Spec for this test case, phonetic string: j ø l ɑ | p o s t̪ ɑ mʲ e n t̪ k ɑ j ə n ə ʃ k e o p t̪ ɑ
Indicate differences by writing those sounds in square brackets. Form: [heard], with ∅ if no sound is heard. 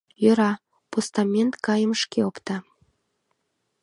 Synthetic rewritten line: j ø [ɾ] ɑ | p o s t̪ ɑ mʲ e n t̪ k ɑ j ə [m] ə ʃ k e o p t̪ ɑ